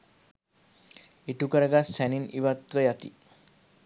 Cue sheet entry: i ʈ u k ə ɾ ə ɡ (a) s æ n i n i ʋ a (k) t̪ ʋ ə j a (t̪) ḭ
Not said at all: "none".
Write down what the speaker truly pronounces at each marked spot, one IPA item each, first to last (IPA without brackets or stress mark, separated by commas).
a, none, t̪